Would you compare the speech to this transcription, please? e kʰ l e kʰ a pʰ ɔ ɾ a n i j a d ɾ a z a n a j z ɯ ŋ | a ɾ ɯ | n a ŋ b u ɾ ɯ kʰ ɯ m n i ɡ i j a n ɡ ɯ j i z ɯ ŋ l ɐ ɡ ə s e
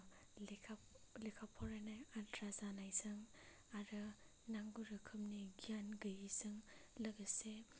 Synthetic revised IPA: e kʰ l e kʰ a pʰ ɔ ɾ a n a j a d ɾ a z a n a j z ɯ ŋ | a ɾ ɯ | n a ŋ ɡ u ɾ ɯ kʰ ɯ m n i ɡ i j a n ɡ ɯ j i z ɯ ŋ l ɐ ɡ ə s e

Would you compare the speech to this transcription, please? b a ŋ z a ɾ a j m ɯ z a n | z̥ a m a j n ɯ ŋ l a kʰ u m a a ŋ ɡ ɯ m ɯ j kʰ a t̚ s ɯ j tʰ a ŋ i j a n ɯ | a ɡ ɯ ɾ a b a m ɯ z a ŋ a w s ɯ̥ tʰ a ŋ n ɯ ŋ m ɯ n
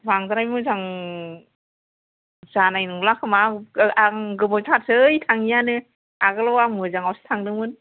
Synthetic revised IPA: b a ŋ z a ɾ a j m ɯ z a ŋ | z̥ a n a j n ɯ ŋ l a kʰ ɯ m a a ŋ ɡ ɯ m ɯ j tʰ a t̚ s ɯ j tʰ a ŋ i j a n ɯ | a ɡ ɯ l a w a m ɯ z a ŋ a w s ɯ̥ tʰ a ŋ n ɯ ŋ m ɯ n

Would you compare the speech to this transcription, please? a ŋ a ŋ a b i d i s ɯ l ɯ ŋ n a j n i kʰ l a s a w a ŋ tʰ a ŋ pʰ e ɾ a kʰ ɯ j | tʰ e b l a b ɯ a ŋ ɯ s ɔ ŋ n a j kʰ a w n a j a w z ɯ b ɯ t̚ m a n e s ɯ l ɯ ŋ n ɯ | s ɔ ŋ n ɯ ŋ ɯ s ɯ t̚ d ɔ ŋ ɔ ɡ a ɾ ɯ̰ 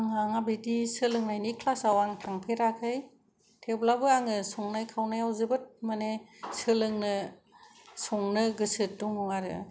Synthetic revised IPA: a ŋ a ŋ a b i d i s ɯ l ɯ ŋ n a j n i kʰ l a s a w a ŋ tʰ a ŋ pʰ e ɾ a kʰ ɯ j | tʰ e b l a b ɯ a ŋ ɯ s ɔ ŋ n a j kʰ a w n a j a w z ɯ b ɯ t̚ m a n e s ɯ l ɯ ŋ n ɯ | s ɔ ŋ n ɯ ɡ ɯ s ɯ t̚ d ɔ ŋ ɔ ŋ a ɾ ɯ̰

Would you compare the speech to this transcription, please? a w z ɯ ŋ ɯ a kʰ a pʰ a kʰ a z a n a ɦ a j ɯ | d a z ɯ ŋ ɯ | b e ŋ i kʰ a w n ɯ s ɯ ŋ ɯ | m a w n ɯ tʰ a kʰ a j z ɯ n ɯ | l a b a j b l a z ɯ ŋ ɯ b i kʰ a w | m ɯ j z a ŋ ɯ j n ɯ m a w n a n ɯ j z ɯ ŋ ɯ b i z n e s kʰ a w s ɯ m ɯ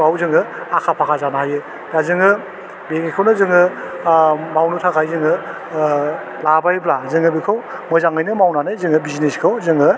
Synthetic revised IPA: a w z ɯ ŋ ɯ a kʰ a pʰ a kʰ a z a n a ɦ a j ɯ | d a z ɯ ŋ ɯ | b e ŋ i kʰ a w n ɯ z ɯ ŋ ɯ | m a w n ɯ tʰ a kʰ a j z ɯ ŋ ɯ | l a b a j b l a z ɯ ŋ ɯ b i kʰ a w | m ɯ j z a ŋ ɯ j n ɯ m a w n a n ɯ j z ɯ ŋ ɯ b i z n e s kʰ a w z ɯ ŋ ɯ

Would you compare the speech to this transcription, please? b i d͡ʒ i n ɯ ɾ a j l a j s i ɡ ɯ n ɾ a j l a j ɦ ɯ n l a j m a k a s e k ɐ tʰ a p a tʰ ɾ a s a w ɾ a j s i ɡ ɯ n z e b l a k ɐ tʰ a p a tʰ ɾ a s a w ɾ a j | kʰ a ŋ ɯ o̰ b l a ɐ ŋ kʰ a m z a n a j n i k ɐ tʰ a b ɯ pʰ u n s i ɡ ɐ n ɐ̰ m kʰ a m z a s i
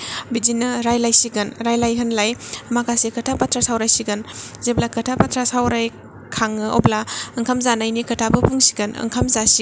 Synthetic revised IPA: b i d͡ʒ i n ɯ ɾ a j l a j s i ɡ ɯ n ɾ a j l a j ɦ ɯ n l a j m a k a s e k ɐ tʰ a p a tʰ ɾ a s a w ɾ a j s i ɡ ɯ n z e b l a k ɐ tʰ a p a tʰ ɾ a s a w ɾ a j | kʰ a ŋ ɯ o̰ b l a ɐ ŋ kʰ a m z a n a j n i k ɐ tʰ a b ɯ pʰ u ŋ s i ɡ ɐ n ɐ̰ ŋ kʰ a m z a s i

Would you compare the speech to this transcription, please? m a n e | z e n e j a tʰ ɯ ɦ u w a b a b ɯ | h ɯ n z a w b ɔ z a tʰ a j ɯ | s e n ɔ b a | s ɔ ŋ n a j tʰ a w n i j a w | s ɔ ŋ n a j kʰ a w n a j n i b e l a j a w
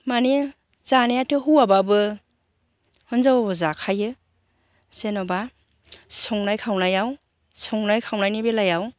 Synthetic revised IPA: m a n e | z a n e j a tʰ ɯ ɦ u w a b a b ɯ | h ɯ n z a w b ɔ z a kʰ a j ɯ | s e n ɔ b a | s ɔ ŋ n a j kʰ a w n a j a w | s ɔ ŋ n a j kʰ a w n a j n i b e l a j a w

